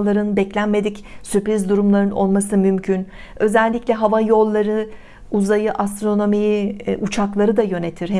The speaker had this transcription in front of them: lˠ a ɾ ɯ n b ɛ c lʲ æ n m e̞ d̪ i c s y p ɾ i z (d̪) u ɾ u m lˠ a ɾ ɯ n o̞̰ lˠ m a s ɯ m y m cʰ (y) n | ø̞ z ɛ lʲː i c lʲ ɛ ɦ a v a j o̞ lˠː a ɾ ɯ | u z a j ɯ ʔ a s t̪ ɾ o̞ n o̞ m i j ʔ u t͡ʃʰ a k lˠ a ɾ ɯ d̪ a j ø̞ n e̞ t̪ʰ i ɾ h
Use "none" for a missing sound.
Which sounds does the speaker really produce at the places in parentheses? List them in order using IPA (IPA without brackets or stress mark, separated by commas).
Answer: d̪, y